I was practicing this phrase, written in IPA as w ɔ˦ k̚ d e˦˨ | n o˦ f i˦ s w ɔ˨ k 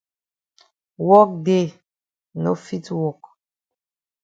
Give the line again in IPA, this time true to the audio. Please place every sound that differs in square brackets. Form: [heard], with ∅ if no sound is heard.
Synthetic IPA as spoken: w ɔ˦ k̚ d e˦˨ | n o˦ f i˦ [t] w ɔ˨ k